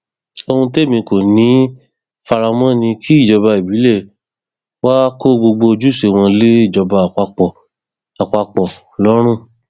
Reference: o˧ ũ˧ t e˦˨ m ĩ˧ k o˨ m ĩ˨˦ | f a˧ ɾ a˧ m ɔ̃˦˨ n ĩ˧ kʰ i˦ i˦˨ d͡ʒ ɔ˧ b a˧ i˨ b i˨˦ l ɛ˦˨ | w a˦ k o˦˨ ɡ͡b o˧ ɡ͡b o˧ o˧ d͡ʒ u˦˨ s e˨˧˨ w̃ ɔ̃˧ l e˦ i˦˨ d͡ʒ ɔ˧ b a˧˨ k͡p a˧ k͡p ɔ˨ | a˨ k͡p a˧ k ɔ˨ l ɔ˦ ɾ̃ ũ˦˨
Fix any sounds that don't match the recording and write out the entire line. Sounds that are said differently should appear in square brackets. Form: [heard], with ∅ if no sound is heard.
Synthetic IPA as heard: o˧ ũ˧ t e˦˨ m ĩ˧ k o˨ [n] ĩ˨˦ | f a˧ ɾ a˧ m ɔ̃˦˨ n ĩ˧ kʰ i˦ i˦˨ d͡ʒ ɔ˧ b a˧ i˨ b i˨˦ l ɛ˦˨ | w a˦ k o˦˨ ɡ͡b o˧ ɡ͡b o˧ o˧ d͡ʒ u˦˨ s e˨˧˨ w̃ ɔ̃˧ l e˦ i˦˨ d͡ʒ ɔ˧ b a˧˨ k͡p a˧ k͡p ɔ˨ | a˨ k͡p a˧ [k͡p] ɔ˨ l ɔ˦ ɾ̃ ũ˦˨